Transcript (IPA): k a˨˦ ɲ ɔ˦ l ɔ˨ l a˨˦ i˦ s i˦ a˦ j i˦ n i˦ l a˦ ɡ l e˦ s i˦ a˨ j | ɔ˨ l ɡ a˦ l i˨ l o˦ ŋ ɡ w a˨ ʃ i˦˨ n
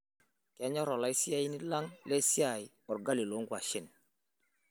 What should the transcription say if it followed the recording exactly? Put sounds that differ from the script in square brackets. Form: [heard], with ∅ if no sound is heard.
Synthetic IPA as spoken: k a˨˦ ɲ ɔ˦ [ɾ] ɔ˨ l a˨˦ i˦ s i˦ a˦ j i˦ n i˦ l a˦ [ŋ] l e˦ s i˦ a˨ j | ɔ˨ [ɾ] ɡ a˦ l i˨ l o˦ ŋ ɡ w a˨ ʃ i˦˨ n